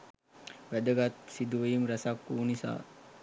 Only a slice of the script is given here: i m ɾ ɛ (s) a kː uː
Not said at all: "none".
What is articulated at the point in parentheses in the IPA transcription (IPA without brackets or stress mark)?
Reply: s